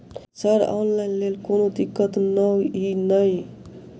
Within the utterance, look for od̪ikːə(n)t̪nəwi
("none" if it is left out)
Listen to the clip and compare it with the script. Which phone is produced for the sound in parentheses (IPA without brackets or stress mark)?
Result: none